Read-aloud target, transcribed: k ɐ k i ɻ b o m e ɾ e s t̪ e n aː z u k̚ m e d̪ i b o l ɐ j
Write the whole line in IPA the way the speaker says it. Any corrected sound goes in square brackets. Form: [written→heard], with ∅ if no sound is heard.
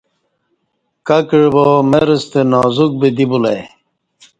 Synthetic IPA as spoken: k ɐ k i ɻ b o m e ɾ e s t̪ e n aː z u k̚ [m→b] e d̪ i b [o→u] l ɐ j